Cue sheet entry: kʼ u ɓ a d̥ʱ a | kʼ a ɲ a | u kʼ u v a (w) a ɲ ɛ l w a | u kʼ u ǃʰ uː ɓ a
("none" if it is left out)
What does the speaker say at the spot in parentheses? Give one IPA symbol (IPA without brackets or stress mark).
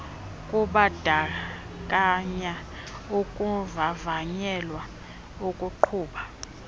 v